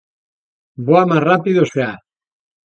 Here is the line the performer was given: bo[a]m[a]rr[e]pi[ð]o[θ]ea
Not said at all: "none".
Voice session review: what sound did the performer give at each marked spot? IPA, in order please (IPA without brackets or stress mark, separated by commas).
a, a, a, ð, s